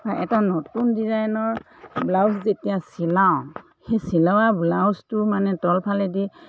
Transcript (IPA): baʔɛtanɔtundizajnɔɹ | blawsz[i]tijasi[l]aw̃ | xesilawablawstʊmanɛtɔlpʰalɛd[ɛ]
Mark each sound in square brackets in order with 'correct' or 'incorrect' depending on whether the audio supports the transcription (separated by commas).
incorrect, correct, incorrect